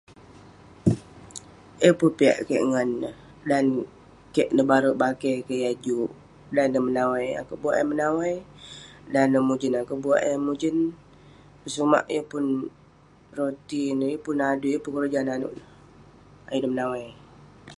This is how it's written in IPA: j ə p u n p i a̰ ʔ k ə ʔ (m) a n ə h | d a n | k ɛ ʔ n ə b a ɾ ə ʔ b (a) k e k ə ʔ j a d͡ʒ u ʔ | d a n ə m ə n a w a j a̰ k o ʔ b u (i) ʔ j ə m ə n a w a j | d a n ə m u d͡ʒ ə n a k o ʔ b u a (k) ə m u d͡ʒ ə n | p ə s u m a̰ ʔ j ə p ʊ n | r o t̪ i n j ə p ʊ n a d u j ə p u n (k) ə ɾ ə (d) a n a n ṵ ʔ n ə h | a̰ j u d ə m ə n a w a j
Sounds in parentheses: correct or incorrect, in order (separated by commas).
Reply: incorrect, correct, incorrect, incorrect, correct, incorrect